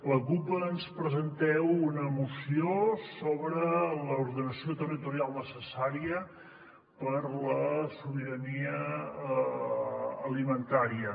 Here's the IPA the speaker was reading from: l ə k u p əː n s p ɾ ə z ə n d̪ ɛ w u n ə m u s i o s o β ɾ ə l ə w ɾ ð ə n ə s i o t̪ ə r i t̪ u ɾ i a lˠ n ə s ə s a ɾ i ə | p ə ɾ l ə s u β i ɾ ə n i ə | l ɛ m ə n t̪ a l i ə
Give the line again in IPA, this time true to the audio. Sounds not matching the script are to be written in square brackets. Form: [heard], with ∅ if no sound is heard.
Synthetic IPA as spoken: l ə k u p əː n s p ɾ ə z ə n [t̪] ɛ w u n ə m u s i o s o β ɾ ə l ə [u] ɾ ð ə n ə s i o t̪ ə r i t̪ u ɾ i a lˠ n ə s ə s a ɾ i ə | p ə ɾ l ə s u β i ɾ ə n i ə | l [i] m ə n t̪ a [ɾ] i ə